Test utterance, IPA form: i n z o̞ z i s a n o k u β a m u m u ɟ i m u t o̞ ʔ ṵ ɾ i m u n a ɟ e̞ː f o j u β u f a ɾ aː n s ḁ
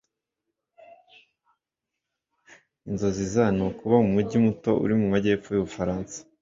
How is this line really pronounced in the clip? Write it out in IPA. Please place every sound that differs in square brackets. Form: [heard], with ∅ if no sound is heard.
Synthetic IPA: i n z o̞ z i [z] a n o k u β a m u m u ɟ i m u t o̞ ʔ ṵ ɾ i m u [m] a ɟ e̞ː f o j u β u f a ɾ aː n s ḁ